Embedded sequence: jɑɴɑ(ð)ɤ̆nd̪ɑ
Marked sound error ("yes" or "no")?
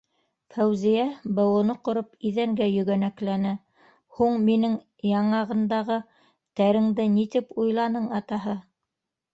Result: yes